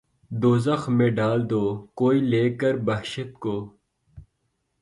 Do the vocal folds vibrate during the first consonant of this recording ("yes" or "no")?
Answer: yes